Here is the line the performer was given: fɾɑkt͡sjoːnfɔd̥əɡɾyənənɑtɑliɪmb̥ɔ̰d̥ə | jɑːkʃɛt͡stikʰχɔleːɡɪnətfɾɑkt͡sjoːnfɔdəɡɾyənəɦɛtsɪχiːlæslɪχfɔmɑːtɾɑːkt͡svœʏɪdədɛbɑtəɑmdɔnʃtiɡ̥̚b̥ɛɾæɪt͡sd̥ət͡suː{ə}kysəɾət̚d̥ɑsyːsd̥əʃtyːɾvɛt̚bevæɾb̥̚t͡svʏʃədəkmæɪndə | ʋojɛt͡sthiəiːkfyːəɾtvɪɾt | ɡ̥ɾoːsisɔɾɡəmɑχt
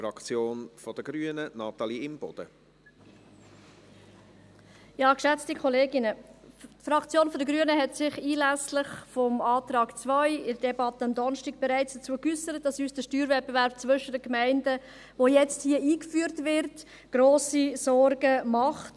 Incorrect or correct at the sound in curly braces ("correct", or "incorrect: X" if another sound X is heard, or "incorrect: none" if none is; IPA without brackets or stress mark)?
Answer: correct